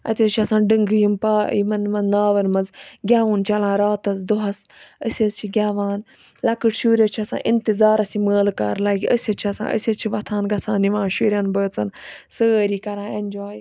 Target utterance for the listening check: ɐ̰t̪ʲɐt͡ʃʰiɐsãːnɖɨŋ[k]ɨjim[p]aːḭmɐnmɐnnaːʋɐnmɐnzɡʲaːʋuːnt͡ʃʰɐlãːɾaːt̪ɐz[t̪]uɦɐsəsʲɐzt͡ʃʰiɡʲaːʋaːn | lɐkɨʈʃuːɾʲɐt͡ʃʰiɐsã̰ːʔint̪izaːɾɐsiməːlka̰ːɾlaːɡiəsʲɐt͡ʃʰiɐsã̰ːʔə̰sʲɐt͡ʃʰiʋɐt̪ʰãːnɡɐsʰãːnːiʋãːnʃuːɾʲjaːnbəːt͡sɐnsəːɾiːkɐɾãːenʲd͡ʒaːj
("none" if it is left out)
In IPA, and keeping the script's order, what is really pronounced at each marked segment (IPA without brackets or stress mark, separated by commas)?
ɡ, p, d̪